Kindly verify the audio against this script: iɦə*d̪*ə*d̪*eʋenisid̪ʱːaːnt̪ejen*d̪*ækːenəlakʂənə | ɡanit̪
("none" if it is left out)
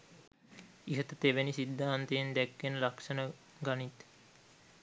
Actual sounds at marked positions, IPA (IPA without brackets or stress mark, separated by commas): t̪, t̪, d̪